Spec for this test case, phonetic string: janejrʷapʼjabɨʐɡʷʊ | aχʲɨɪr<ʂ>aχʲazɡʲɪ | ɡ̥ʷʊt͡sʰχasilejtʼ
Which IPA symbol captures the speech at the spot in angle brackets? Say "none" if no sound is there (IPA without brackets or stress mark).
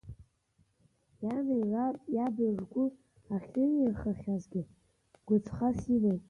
χ